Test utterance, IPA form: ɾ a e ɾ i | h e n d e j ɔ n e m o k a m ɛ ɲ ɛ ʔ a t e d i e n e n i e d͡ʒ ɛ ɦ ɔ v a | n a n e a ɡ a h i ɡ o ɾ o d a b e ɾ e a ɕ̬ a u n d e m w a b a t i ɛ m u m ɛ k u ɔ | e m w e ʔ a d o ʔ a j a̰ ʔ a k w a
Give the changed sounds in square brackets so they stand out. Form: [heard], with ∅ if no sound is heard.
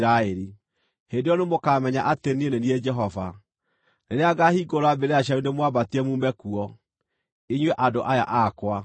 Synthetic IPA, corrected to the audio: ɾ a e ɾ i | h e n d e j ɔ n e m o k a m ɛ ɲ [a] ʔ a t e [n] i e n e n i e d͡ʒ ɛ ɦ ɔ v a | n [e] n e a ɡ a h i ɡ o ɾ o [∅] a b e ɾ e a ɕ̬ a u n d e m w a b a t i ɛ m u m ɛ k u ɔ | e [ɲ] w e ʔ a d o ʔ a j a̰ ʔ a k w a